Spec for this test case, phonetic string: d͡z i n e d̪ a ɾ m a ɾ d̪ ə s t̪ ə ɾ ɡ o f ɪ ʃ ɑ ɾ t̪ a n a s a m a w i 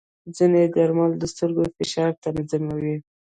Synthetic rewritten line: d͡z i n e d̪ a ɾ m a l d̪ ə s t̪ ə ɾ ɡ o f ɪ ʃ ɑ ɾ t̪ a n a z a m a w i